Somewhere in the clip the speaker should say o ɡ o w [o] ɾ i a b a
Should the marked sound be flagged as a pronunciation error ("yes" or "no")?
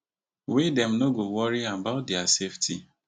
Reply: yes